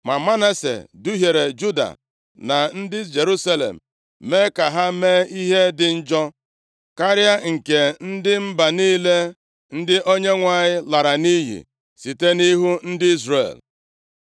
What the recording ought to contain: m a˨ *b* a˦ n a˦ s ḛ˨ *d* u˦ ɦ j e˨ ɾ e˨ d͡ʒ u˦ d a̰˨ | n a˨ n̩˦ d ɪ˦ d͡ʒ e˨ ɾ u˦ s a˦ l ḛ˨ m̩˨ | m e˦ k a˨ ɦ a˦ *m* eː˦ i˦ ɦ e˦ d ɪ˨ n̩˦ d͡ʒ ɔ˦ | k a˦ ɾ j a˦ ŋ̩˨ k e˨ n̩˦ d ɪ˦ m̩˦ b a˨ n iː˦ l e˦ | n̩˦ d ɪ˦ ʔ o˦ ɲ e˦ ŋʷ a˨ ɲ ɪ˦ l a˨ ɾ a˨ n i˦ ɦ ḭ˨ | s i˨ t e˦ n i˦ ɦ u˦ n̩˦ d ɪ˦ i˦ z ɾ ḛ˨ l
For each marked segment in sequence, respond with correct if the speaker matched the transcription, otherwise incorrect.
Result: incorrect, correct, correct

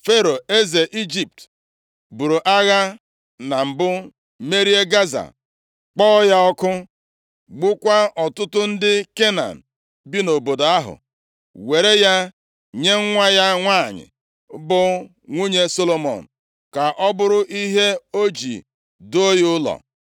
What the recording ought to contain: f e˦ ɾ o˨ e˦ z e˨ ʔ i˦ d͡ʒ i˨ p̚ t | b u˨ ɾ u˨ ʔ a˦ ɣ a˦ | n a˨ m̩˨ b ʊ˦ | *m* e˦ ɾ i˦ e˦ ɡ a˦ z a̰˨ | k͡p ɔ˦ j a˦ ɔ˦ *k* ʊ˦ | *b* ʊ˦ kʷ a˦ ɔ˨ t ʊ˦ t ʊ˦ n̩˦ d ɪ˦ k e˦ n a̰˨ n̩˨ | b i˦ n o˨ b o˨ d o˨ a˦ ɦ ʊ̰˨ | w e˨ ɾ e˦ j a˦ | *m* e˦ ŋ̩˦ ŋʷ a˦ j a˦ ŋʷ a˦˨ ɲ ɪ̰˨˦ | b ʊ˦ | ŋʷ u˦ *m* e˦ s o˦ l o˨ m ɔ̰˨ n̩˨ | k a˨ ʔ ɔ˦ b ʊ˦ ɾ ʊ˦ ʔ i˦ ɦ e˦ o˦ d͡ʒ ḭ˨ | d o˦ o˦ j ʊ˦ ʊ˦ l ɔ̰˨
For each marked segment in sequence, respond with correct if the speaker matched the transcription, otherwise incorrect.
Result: correct, correct, incorrect, incorrect, incorrect

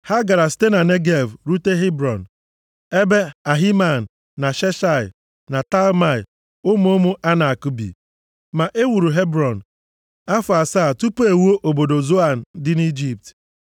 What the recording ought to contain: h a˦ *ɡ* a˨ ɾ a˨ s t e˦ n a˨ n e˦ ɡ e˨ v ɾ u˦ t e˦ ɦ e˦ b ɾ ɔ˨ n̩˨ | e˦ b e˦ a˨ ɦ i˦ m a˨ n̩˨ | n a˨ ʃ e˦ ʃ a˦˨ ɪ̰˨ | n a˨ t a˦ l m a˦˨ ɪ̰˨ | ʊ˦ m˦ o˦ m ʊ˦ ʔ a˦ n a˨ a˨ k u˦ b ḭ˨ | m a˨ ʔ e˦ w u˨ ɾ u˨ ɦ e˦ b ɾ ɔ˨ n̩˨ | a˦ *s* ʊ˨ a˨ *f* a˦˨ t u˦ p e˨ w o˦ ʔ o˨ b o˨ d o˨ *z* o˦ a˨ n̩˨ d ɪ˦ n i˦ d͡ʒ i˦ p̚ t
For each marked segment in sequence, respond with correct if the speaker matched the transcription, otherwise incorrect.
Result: correct, incorrect, incorrect, correct

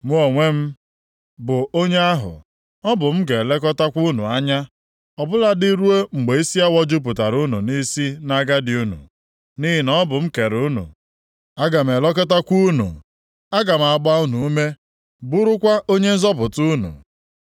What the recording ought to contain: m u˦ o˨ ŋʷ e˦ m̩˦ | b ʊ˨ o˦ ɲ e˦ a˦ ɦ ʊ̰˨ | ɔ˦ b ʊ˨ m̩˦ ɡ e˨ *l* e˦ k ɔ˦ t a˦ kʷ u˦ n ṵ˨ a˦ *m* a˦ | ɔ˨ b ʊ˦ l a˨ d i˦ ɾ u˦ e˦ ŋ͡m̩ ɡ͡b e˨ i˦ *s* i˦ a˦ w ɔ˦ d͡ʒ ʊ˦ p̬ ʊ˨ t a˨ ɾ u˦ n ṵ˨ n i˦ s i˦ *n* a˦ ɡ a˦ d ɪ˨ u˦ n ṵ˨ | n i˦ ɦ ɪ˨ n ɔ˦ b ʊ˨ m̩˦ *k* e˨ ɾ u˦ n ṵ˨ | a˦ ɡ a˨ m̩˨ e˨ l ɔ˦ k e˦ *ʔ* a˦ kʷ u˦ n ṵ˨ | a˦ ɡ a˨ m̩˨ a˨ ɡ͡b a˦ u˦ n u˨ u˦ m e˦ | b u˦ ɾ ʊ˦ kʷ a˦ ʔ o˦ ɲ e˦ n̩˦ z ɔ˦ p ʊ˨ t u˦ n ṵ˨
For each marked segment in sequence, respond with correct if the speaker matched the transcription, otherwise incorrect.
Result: correct, incorrect, correct, correct, correct, incorrect

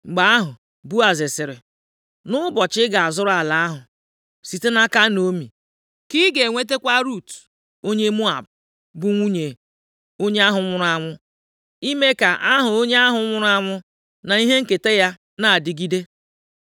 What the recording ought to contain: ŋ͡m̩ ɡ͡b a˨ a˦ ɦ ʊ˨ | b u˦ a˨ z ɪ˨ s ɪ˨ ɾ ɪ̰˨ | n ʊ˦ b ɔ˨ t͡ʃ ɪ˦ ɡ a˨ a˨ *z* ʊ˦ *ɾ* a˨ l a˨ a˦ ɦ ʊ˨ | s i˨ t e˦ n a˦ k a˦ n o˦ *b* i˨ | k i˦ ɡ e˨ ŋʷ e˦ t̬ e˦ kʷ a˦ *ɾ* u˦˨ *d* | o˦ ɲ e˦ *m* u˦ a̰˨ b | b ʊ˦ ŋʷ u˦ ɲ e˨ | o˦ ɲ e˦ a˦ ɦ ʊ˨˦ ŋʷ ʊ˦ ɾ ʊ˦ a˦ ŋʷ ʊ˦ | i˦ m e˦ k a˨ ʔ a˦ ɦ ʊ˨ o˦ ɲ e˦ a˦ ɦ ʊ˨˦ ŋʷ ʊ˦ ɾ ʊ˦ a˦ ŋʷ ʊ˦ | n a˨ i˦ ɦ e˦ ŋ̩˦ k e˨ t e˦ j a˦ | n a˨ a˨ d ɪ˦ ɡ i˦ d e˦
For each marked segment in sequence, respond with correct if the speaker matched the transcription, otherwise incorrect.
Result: correct, correct, incorrect, correct, incorrect, correct

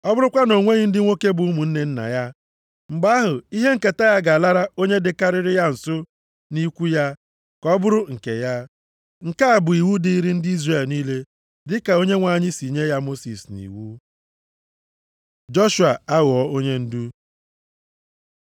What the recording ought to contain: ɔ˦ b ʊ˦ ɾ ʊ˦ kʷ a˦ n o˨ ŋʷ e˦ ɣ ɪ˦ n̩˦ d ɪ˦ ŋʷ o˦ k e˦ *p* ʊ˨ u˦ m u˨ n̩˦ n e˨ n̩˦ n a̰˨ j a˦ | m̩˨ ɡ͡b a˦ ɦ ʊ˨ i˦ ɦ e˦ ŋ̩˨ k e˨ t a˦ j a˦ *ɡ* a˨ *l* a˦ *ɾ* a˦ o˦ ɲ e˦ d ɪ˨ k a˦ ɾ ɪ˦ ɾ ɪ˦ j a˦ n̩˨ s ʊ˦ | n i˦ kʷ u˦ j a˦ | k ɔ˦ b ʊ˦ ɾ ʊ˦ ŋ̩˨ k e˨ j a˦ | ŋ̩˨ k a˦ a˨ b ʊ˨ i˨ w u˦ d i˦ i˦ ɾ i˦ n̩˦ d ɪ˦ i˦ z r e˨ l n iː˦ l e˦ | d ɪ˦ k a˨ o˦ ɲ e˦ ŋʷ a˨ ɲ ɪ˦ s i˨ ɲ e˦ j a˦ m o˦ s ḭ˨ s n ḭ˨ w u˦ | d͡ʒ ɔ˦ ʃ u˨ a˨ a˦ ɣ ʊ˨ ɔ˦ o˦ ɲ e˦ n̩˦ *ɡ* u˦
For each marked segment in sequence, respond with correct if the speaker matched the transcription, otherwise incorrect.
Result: incorrect, correct, correct, correct, incorrect

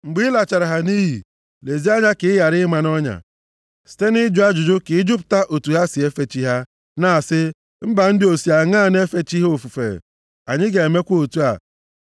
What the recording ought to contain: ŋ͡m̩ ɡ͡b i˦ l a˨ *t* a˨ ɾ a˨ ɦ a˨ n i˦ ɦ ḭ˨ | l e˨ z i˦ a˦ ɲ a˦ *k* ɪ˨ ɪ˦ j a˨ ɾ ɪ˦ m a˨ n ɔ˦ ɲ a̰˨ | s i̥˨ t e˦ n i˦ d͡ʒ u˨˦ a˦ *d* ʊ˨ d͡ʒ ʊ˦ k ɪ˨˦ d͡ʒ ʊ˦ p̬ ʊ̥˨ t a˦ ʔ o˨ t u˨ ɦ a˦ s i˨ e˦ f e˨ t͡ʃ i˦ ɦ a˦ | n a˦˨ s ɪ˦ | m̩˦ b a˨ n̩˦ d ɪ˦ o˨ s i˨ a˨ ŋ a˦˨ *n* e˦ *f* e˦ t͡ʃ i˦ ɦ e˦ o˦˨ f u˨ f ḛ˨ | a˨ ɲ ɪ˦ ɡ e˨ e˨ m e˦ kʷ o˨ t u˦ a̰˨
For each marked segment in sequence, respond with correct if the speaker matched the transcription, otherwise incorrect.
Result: incorrect, correct, incorrect, correct, correct

